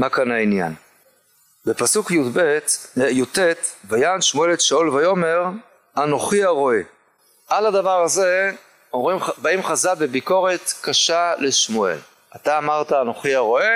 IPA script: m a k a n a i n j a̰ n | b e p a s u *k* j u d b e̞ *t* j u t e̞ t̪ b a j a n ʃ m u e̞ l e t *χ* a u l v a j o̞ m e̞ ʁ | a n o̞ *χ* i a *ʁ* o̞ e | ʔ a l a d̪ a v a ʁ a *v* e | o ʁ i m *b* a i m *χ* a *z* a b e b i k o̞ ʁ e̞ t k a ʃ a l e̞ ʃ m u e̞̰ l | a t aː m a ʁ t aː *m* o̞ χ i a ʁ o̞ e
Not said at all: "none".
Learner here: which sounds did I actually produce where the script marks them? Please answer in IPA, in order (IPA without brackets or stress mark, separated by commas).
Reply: k, t, ʃ, χ, ʁ, z, b, χ, z, n